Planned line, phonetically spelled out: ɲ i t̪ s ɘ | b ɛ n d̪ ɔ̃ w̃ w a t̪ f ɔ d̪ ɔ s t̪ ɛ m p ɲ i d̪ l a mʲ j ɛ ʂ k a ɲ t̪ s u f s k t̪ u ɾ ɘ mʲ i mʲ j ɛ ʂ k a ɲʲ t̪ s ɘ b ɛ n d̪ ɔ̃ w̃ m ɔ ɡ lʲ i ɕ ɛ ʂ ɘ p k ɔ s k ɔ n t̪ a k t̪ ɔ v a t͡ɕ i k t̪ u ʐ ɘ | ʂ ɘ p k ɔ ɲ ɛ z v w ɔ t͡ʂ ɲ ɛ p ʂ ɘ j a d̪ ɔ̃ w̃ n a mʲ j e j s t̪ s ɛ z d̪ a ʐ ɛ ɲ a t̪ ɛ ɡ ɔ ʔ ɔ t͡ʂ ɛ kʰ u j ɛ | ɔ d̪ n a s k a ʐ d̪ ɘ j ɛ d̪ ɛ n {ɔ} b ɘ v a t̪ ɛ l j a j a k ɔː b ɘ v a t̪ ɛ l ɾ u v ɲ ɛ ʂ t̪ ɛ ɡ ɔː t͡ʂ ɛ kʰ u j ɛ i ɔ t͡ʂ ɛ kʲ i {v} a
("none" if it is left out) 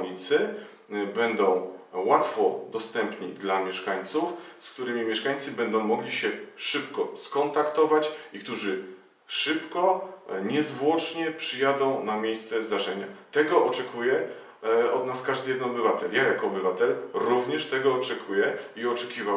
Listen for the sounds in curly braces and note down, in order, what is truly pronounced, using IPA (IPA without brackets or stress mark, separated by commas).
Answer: ɔ, v